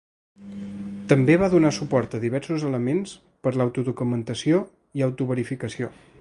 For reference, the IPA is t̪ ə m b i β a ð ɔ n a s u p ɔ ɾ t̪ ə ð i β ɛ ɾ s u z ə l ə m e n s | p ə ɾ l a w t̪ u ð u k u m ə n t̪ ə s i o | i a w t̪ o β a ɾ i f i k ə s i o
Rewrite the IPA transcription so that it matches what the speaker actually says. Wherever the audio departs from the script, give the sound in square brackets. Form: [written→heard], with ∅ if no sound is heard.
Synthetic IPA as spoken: t̪ ə m b [i→e] β a ð [ɔ→u] n a s u p ɔ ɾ t̪ ə ð i β ɛ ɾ s u z ə l ə m e n s | p ə ɾ l a w t̪ u ð u k u m ə n t̪ ə s i o | i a w t̪ [o→u] β [a→ə] ɾ i f i k ə s i o